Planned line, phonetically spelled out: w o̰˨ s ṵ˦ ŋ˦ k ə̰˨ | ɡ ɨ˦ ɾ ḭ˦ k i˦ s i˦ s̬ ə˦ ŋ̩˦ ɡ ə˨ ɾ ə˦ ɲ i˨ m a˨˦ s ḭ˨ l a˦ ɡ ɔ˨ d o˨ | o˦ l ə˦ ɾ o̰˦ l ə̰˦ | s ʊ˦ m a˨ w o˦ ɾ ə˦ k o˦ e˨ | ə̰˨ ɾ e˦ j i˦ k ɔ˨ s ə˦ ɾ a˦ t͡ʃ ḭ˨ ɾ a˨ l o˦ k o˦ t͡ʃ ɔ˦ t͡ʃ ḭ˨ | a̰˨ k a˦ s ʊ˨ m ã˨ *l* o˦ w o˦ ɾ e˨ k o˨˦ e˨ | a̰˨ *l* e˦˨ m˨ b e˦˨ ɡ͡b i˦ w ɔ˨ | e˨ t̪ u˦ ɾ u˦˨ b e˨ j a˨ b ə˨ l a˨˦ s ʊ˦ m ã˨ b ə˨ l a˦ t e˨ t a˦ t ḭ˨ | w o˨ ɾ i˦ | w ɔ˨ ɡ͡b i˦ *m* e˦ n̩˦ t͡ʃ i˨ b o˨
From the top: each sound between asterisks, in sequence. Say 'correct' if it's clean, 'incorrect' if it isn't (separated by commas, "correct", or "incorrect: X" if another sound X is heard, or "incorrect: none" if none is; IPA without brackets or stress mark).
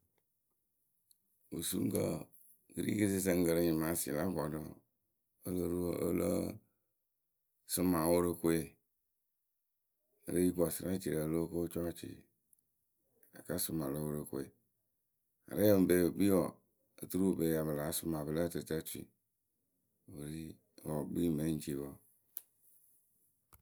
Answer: correct, incorrect: ɾ, correct